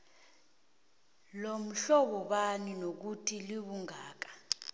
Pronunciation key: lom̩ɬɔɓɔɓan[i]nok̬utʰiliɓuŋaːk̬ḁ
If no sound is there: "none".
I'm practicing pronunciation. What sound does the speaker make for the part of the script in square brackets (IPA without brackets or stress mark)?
i